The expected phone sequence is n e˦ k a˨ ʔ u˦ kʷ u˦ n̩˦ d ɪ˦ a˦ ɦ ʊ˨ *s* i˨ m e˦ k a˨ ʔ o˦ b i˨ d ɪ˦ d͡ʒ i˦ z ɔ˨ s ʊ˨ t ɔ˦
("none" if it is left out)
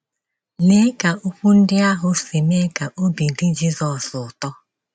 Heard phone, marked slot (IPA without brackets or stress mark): s